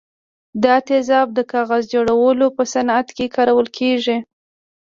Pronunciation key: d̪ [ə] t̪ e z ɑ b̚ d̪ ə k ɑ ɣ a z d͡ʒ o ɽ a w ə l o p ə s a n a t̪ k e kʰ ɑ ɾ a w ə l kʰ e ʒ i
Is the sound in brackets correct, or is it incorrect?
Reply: incorrect: ɑ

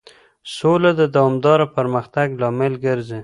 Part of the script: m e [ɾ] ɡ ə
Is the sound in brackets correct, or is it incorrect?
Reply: incorrect: l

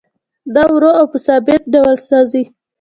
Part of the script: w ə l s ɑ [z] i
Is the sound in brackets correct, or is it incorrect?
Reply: correct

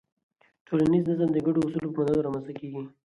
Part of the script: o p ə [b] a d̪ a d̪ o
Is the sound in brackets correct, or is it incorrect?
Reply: incorrect: m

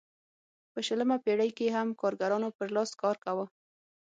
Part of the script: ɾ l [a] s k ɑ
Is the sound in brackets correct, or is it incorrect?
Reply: incorrect: ɑ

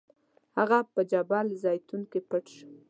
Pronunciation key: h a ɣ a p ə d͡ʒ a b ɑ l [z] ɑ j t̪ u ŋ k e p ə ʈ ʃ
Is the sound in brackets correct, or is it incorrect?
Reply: correct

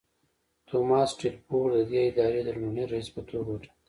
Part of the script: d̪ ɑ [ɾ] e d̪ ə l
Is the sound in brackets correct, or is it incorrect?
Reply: correct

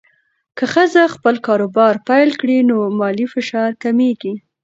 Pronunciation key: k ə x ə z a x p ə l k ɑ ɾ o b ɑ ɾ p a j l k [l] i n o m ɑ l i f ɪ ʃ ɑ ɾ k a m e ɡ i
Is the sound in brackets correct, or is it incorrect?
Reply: incorrect: ɽ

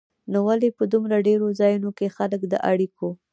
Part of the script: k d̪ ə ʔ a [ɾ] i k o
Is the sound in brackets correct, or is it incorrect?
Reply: incorrect: ɽ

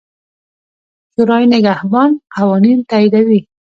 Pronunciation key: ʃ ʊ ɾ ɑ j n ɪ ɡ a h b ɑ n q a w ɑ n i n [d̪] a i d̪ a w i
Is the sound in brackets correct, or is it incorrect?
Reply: incorrect: t̪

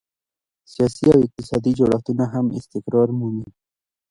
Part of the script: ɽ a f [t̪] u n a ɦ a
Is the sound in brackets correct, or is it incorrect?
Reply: correct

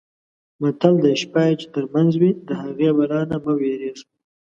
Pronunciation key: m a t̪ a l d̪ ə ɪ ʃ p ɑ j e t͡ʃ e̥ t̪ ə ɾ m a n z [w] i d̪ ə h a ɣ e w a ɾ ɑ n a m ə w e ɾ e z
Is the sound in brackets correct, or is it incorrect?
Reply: correct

